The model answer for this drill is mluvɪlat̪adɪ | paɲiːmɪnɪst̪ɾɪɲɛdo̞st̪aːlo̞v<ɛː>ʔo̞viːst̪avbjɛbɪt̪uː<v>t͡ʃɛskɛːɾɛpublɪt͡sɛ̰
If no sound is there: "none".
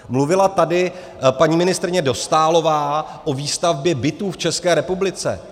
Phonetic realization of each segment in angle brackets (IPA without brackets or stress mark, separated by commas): aː, f